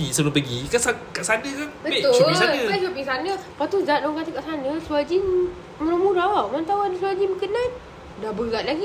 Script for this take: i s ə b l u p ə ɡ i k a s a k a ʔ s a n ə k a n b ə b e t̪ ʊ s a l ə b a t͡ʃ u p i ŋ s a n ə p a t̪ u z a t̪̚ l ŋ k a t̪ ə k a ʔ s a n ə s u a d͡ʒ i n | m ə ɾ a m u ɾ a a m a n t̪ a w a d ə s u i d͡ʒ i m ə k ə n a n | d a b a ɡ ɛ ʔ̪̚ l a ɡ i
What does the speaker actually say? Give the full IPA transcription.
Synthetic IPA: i s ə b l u p ə ɡ i k a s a k a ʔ s a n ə k a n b ə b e t̪ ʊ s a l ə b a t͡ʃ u p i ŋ s a n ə p a t̪ u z a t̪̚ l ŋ k a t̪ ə k a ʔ s a n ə s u a d͡ʒ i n | m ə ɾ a m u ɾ a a m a n t̪ a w a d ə s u a d͡ʒ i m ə k ə n a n | d a b ə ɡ a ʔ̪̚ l a ɡ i